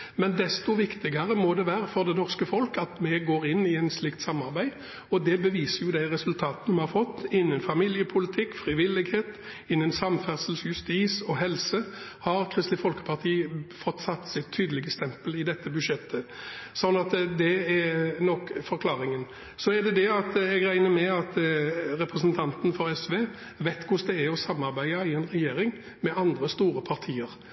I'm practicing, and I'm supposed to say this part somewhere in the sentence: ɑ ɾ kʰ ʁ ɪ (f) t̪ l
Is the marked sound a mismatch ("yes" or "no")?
yes